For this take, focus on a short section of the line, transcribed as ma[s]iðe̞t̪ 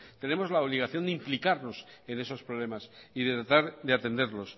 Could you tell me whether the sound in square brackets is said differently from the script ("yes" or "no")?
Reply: no